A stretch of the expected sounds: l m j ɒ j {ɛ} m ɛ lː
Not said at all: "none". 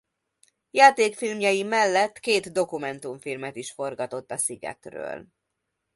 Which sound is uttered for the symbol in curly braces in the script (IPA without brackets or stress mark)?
i